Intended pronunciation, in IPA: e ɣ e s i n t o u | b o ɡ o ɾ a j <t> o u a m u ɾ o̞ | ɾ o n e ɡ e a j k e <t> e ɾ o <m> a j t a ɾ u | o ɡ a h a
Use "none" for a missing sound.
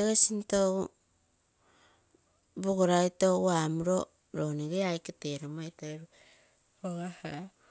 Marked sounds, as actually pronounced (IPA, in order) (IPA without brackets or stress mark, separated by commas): t, t, m